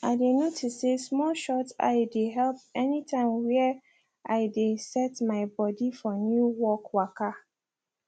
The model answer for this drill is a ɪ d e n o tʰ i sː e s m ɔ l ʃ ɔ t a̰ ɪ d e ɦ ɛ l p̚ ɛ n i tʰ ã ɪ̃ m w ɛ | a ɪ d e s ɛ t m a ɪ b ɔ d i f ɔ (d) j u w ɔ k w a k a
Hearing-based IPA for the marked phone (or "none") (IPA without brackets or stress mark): n